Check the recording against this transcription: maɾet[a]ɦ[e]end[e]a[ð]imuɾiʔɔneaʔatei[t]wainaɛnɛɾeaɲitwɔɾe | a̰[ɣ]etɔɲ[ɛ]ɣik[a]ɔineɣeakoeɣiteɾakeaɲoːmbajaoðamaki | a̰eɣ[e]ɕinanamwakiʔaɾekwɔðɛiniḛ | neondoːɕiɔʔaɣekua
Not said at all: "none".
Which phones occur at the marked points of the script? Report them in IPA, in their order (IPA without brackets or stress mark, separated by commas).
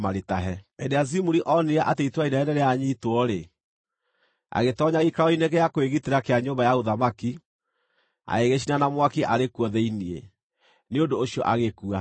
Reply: a, ɛ, e, z, t, ɣ, a, a, e